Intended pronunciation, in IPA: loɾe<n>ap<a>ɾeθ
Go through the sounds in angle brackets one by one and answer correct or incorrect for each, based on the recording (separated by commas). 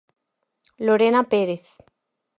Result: correct, incorrect